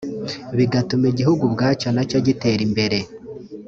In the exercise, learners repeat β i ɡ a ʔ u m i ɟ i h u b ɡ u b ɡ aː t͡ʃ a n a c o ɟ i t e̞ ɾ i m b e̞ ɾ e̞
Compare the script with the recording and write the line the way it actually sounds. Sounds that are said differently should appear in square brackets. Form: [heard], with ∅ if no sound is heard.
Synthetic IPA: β i ɡ a [t] u m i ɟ i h u [∅] ɡ u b ɡ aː t͡ʃ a n a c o ɟ i t e̞ ɾ i m b e̞ ɾ e̞